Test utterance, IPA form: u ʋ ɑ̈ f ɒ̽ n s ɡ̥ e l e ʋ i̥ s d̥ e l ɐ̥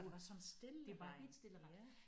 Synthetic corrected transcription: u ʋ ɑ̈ s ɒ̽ n s d̥ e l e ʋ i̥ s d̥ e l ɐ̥